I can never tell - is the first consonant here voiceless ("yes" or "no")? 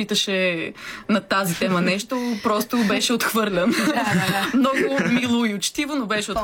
yes